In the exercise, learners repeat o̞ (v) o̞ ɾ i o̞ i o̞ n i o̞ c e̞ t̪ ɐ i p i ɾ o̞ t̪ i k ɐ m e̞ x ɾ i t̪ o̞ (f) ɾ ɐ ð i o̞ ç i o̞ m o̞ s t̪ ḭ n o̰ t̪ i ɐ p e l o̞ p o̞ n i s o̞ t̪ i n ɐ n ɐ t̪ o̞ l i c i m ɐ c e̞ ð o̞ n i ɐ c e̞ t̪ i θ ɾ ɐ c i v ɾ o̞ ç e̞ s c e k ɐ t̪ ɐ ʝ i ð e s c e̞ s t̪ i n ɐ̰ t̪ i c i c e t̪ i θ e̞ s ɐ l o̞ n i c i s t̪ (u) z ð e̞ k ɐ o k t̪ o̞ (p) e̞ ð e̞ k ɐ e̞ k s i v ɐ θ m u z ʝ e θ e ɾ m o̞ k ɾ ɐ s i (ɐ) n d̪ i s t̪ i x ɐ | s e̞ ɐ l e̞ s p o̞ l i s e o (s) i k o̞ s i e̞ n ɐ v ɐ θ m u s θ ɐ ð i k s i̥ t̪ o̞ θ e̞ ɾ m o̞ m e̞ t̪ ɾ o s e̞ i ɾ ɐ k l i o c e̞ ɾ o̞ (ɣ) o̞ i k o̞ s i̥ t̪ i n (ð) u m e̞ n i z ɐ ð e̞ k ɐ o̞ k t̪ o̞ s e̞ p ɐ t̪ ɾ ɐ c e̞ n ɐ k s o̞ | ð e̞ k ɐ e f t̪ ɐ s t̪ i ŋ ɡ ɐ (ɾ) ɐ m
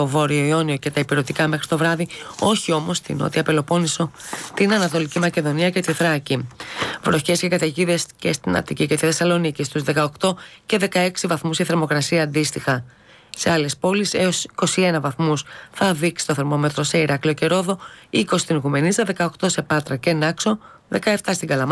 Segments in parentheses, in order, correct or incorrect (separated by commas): correct, incorrect, correct, incorrect, incorrect, correct, incorrect, incorrect, incorrect